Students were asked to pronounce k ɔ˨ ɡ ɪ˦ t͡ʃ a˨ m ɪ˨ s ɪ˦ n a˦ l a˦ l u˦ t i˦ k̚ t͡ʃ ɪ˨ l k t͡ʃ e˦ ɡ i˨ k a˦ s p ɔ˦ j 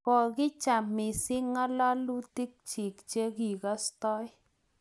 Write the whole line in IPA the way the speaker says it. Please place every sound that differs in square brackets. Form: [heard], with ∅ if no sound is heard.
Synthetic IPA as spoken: k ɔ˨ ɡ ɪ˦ t͡ʃ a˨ m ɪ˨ s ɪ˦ [ŋ] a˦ l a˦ l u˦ t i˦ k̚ t͡ʃ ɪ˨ [∅] k t͡ʃ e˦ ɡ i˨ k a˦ s [t] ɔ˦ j